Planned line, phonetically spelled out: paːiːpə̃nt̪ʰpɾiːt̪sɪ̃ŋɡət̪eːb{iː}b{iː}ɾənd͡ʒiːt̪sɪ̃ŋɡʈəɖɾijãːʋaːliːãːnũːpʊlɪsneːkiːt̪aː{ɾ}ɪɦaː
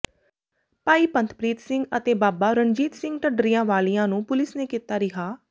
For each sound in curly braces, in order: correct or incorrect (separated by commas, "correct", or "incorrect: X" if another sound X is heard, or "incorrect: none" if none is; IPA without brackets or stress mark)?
incorrect: aː, incorrect: aː, correct